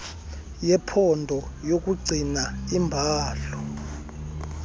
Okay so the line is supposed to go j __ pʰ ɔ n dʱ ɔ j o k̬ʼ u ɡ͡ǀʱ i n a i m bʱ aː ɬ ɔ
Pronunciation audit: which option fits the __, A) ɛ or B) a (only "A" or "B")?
A